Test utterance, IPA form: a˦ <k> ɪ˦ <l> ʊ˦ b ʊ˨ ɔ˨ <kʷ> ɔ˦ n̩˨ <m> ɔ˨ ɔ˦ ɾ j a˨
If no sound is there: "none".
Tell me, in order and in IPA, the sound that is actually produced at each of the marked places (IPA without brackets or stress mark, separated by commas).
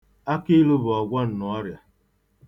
k, l, ɡʷ, n